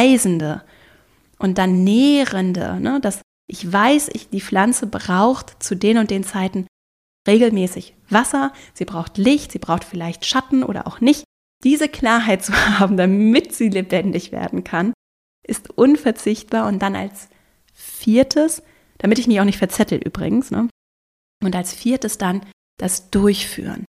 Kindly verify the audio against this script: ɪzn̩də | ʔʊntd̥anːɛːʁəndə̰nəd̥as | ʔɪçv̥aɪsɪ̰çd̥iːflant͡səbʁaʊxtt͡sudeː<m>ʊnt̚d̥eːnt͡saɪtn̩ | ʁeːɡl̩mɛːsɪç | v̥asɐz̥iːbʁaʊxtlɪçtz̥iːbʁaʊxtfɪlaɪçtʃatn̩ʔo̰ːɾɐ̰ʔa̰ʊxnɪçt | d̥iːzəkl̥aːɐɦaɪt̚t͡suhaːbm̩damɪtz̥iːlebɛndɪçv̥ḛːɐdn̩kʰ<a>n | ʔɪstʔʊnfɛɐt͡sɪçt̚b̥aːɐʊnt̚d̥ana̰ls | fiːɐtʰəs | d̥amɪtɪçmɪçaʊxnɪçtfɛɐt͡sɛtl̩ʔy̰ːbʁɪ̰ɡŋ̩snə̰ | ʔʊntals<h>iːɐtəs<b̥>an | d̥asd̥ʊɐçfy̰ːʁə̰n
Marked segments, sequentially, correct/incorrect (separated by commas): incorrect, correct, incorrect, incorrect